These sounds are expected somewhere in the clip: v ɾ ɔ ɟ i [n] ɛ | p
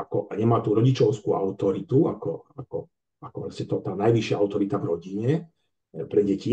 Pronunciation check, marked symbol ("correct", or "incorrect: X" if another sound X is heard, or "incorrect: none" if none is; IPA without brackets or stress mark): incorrect: ɲ